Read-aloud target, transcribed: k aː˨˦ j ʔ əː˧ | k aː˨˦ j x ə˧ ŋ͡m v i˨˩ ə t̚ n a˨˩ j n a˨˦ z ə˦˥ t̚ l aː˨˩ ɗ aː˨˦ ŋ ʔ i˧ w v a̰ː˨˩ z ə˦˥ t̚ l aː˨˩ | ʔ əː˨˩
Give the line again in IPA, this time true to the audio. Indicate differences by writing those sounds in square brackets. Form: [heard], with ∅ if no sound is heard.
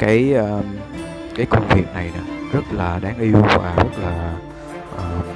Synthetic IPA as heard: k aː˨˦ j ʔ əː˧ | k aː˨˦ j [k] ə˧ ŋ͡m v i˨˩ ə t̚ n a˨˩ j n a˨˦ z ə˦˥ t̚ l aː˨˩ ɗ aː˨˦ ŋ ʔ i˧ w v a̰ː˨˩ z ə˦˥ t̚ l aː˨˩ | ʔ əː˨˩